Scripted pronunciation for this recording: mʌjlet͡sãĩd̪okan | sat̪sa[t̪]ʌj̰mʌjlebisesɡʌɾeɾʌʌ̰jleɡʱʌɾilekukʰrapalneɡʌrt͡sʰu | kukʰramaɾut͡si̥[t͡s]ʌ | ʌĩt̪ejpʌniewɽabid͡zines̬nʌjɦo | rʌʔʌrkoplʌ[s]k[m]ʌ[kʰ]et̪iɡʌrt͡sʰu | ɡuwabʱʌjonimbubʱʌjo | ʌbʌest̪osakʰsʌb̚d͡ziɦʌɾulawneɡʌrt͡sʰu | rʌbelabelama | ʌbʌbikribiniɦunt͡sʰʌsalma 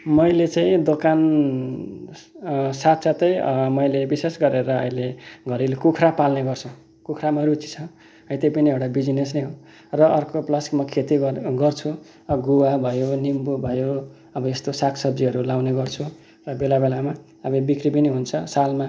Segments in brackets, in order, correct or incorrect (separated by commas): correct, incorrect, correct, correct, correct